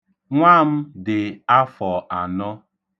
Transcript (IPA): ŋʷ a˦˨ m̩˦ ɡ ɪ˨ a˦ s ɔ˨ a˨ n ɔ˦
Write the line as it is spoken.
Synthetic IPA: ŋʷ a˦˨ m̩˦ d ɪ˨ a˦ f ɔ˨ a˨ n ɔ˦